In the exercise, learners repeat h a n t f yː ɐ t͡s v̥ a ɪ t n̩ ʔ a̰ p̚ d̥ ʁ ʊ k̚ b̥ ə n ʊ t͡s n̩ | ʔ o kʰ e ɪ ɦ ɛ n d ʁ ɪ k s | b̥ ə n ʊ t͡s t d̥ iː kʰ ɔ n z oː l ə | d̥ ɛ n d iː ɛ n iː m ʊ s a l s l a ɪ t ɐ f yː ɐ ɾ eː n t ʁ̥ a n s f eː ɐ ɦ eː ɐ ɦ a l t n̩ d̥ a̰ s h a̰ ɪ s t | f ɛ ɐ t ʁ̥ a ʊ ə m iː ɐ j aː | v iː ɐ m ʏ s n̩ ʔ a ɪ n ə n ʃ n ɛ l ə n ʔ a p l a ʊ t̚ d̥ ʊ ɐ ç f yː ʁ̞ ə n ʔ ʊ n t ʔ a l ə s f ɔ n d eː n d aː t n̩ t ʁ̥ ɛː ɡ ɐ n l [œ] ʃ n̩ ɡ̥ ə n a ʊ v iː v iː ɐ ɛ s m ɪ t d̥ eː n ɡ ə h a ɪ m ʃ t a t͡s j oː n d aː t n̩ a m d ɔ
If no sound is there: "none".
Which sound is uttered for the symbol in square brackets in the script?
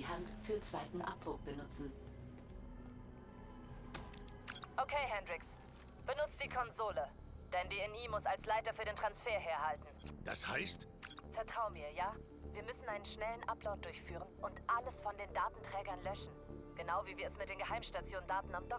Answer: œ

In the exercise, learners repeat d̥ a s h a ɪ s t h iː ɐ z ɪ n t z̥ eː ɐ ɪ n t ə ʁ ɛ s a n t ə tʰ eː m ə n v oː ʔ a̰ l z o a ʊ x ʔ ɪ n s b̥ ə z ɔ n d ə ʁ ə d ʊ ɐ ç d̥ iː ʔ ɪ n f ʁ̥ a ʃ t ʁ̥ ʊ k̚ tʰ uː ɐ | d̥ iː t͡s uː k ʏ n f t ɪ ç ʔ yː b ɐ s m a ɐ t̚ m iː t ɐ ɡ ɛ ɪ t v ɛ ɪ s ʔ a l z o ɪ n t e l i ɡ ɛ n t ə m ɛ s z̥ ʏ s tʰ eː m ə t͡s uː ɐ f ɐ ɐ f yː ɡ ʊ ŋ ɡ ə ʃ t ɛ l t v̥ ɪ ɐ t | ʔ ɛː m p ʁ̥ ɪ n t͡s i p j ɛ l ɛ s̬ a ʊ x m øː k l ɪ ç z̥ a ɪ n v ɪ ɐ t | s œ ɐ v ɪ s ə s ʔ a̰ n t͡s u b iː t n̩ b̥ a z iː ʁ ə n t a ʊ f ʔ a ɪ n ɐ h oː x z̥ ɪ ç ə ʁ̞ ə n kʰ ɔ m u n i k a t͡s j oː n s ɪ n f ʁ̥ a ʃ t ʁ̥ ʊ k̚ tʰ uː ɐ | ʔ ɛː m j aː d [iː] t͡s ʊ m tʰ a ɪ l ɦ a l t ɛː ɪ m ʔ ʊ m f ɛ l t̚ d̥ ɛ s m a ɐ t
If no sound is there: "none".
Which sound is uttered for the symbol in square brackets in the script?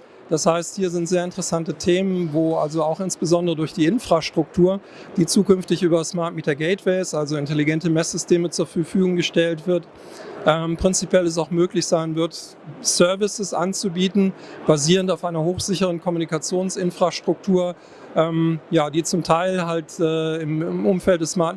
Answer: iː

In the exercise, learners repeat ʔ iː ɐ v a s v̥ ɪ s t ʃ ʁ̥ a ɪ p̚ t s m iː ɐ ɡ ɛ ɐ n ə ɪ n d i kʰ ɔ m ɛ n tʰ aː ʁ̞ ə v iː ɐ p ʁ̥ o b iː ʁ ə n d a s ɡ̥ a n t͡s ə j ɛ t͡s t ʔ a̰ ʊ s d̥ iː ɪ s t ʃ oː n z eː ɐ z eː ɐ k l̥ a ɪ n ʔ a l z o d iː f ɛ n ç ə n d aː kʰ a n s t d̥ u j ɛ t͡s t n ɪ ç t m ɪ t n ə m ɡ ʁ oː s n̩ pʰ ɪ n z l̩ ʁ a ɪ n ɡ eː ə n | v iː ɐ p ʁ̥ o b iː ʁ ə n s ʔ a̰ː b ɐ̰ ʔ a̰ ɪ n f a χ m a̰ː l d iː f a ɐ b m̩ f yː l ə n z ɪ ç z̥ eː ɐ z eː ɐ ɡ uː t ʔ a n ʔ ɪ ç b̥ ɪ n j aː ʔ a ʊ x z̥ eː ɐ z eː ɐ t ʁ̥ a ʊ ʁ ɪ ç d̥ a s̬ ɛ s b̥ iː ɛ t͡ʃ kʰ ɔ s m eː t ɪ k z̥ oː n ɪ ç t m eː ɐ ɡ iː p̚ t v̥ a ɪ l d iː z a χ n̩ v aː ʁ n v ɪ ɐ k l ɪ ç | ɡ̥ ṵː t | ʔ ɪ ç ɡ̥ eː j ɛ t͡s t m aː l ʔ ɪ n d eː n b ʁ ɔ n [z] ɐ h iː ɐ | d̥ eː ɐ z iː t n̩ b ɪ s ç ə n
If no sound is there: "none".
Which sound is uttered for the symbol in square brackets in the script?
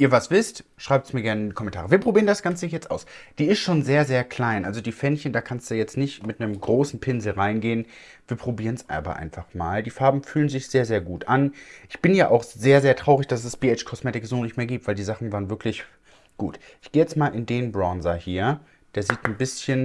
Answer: z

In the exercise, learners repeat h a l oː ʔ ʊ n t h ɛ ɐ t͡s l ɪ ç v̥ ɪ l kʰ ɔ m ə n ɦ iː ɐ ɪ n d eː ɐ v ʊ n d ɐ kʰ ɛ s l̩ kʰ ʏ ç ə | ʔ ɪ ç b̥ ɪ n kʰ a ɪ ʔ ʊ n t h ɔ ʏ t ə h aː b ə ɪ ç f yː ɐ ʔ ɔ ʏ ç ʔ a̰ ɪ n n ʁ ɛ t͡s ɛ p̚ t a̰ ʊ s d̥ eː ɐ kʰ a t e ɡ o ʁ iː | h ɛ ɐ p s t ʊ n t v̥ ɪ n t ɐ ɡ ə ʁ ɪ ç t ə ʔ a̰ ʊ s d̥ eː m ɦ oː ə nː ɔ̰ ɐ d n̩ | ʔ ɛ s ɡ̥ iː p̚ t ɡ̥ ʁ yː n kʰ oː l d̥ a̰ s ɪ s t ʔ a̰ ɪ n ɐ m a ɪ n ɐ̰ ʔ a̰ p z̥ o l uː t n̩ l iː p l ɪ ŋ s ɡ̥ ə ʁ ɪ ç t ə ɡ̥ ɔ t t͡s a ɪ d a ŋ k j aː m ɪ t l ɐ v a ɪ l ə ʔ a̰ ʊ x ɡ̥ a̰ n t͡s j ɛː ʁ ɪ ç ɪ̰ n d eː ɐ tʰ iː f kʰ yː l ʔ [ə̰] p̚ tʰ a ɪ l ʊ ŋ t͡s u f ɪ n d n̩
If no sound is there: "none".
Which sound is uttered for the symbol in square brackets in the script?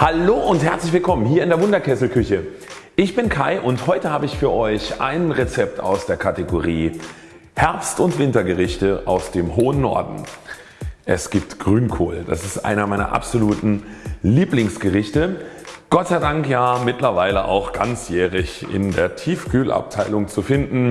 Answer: a̰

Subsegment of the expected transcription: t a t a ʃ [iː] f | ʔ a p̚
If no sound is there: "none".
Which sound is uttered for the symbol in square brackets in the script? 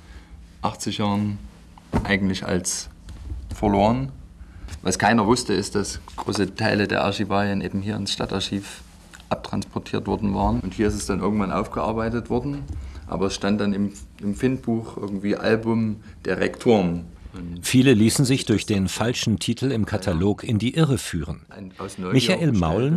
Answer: iː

